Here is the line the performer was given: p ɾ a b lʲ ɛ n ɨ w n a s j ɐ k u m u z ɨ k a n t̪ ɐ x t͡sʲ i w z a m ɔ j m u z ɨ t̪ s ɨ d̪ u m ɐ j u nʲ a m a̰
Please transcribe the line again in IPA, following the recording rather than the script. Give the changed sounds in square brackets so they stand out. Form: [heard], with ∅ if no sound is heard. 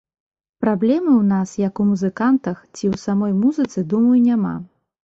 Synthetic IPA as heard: p ɾ a b lʲ ɛ [m] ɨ w n a s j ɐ k u m u z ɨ k a n t̪ ɐ x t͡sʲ i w [s] a m ɔ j m u z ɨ t̪ s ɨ d̪ u m ɐ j u nʲ a m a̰